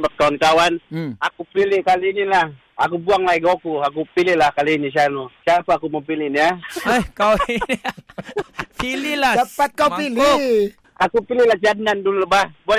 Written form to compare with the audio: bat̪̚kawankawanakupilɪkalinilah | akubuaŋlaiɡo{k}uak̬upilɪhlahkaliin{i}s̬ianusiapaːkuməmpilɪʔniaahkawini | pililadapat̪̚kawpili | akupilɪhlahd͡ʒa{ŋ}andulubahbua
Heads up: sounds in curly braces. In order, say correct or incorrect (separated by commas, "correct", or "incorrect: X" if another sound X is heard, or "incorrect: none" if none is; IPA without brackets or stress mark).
correct, correct, incorrect: n